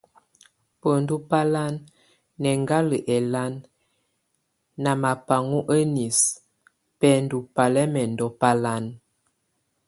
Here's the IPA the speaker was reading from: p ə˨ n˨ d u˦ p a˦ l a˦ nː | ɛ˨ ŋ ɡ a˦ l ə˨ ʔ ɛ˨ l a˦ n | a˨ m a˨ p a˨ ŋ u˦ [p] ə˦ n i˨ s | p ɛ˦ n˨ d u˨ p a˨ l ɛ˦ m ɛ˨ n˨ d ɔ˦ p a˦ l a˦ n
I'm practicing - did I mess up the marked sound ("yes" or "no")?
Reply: yes